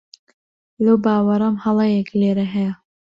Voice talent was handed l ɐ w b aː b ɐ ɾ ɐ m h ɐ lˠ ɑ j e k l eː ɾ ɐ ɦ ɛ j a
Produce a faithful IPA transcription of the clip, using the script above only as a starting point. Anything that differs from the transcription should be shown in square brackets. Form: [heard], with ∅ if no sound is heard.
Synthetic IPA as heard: l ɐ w b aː [w] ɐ ɾ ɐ m h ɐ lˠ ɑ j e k l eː ɾ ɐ ɦ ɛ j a